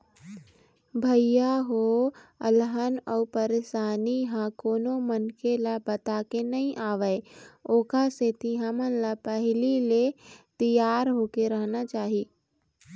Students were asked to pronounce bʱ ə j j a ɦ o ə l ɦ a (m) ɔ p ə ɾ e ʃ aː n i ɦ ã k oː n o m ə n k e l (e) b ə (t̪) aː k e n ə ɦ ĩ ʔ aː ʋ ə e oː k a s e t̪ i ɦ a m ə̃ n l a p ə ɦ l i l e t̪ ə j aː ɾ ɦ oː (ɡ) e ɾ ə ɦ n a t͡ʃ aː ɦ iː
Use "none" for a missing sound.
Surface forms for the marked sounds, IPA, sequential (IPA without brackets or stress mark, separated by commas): n, a, t̪, k